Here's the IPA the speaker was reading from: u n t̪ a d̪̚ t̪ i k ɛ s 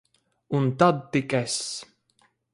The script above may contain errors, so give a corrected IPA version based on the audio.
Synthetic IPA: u n t̪ a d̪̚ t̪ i k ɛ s